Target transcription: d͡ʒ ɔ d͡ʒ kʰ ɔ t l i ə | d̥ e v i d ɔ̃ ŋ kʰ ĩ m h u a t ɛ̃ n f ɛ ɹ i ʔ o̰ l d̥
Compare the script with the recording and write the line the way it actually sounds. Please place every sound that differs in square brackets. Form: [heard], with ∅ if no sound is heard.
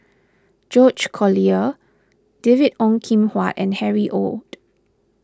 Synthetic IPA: d͡ʒ ɔ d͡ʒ kʰ ɔ [∅] l i ə | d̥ e v i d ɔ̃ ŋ kʰ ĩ m h [w] a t ɛ̃ n [h] ɛ ɹ i ʔ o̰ l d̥